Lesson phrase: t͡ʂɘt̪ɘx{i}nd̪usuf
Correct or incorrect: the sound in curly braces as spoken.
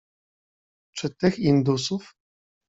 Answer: correct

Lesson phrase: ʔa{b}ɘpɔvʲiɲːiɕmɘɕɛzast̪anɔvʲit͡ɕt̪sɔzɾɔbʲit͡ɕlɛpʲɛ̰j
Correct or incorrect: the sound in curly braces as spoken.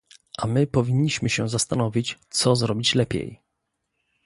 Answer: incorrect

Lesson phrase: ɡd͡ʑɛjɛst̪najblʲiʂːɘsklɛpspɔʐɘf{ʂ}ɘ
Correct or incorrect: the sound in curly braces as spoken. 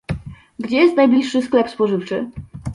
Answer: incorrect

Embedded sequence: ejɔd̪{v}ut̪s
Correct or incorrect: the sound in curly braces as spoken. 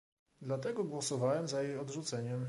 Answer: incorrect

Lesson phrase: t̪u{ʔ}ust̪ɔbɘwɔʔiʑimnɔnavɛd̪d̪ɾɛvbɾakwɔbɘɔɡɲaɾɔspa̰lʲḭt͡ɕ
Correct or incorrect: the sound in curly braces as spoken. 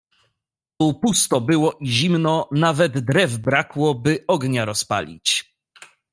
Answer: incorrect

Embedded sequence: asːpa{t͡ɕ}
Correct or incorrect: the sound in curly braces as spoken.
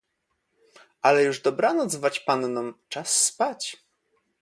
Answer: correct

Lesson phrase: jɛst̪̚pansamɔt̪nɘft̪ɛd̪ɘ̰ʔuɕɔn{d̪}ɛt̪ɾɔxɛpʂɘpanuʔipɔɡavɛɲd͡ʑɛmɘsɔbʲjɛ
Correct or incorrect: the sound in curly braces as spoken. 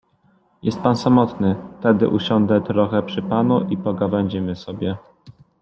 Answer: correct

